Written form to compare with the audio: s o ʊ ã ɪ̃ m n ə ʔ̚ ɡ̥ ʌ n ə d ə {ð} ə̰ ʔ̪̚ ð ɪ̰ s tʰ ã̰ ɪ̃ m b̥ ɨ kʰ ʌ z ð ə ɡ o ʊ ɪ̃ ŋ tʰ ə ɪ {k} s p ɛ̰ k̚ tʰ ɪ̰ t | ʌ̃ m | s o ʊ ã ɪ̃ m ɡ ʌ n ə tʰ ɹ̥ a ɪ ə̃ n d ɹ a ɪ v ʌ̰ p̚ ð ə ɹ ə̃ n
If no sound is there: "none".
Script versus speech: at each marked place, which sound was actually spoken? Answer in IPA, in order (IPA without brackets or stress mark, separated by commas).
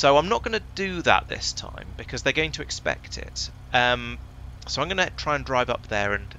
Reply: ð, k